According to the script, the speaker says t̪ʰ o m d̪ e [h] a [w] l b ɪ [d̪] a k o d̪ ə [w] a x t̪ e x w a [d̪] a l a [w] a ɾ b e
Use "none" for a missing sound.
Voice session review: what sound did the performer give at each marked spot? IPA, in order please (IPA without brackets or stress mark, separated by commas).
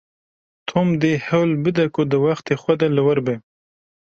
h, w, d̪, w, d̪, w